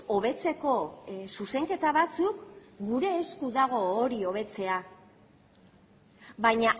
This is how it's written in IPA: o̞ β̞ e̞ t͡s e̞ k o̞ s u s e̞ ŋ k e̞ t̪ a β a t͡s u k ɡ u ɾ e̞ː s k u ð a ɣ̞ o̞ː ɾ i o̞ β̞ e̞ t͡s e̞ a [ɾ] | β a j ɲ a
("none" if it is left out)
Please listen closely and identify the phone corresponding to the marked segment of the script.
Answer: none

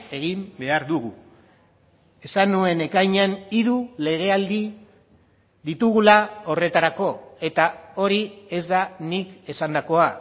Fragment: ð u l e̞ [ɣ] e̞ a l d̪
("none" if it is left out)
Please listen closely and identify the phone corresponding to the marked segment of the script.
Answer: ɣ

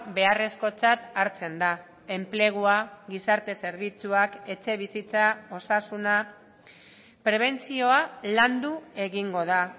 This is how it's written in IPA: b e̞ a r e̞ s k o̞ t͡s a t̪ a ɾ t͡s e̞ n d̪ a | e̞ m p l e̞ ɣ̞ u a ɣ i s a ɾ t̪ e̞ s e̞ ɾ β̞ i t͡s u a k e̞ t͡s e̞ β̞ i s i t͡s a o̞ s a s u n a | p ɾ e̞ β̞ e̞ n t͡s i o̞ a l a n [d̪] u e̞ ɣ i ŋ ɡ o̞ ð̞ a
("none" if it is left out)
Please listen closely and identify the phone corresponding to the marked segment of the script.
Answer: d̪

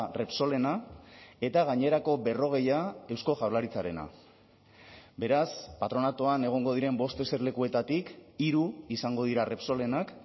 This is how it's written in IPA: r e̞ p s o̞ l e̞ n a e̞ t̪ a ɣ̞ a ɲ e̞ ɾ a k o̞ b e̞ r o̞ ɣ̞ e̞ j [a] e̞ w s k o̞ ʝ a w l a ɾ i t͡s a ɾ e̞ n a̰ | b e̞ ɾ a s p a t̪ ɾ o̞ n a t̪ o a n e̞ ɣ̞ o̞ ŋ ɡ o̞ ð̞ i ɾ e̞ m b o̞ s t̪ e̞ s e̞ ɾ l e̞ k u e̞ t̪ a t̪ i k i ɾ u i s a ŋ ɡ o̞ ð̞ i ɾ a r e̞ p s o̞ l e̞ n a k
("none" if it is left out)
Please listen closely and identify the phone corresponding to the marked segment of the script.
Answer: a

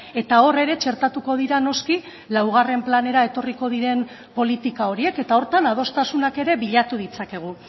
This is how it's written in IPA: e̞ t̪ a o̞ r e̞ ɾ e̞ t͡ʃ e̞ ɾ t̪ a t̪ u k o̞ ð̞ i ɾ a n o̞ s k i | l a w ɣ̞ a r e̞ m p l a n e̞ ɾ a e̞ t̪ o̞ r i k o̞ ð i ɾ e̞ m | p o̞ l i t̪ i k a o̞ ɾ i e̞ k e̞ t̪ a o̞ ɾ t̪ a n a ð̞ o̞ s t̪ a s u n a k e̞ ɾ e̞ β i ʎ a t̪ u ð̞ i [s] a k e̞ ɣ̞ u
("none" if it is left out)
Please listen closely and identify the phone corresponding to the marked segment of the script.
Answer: t͡s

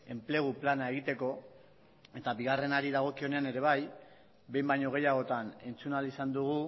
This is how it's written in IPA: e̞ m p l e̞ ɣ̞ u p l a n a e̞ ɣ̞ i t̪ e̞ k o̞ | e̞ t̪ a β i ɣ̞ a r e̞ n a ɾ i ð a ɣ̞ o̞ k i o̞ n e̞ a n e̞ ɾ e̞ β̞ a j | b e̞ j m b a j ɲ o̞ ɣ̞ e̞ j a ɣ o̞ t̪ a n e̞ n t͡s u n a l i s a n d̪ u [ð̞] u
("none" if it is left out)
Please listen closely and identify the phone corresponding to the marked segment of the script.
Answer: ɣ̞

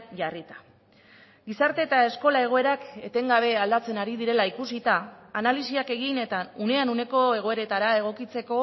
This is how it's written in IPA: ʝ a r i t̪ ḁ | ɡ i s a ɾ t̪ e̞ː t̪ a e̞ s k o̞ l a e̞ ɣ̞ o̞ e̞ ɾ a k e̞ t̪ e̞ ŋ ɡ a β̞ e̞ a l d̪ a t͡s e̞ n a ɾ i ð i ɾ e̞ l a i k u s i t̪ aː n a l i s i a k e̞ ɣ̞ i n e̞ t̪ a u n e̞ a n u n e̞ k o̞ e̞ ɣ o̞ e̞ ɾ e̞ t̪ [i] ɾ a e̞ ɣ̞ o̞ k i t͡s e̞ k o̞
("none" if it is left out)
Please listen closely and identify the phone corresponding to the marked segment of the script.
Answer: a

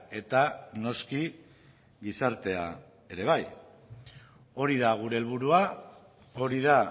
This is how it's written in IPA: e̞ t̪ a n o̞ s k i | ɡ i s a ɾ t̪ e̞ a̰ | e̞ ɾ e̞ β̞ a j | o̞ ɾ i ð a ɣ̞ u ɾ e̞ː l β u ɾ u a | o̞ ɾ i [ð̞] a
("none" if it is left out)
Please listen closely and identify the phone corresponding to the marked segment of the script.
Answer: ð̞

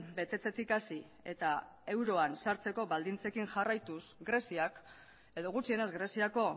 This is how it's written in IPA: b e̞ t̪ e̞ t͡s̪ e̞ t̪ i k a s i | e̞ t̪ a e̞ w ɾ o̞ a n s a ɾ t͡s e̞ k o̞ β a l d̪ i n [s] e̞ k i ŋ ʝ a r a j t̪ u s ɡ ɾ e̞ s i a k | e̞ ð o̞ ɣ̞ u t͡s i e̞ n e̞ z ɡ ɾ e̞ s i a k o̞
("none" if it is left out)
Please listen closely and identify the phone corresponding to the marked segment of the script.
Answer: t͡s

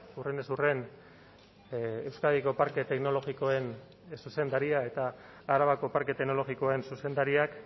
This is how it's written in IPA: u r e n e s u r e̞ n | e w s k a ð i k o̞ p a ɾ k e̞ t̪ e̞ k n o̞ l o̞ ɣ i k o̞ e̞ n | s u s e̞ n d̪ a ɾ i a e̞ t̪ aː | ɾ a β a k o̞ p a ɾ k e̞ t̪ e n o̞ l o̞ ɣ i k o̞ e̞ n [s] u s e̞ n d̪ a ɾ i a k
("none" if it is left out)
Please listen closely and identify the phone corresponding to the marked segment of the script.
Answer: s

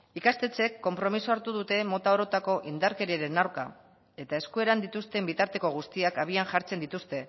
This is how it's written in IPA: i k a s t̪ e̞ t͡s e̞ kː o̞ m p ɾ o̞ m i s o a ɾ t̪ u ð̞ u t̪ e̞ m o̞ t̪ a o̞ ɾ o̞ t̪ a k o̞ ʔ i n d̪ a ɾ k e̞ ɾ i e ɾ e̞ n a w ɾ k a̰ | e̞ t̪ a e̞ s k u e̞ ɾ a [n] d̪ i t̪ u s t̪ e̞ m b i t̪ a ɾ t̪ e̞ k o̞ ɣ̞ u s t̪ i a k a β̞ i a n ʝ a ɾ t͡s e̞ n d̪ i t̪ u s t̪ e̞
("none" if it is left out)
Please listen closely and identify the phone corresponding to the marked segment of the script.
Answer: n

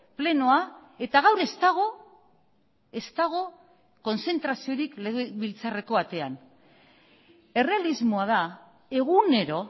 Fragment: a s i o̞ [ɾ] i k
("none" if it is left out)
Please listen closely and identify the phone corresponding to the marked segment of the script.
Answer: ɾ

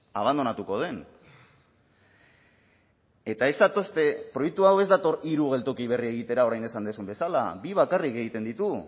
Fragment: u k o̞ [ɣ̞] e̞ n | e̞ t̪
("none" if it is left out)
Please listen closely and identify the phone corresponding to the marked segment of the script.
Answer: ð̞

